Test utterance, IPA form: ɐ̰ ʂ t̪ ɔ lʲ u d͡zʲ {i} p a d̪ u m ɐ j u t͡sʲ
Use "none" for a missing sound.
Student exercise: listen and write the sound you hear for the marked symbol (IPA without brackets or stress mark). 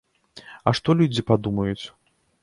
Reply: i